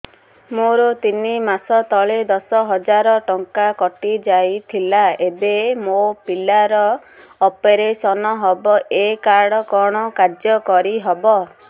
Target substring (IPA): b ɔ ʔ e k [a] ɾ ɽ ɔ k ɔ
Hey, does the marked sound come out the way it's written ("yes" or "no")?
yes